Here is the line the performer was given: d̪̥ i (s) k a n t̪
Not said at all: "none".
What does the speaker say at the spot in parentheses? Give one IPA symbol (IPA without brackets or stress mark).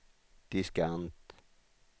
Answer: s